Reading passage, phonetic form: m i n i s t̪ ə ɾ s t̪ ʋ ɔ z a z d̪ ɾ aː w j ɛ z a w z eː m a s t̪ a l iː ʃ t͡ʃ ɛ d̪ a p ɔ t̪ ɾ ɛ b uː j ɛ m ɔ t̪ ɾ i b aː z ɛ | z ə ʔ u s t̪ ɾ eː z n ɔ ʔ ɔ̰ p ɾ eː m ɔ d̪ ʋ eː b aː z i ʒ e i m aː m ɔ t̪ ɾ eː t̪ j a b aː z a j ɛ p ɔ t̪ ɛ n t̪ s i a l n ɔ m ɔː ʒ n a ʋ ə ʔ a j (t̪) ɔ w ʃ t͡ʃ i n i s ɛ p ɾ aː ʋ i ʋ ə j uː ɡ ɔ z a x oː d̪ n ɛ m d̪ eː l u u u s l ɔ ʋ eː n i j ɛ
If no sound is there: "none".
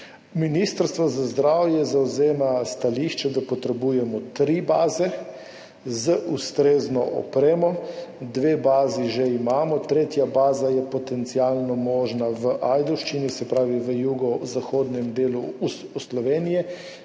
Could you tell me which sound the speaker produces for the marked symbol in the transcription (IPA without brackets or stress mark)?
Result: d̪